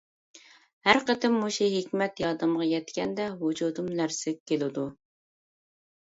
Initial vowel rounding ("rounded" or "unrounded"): unrounded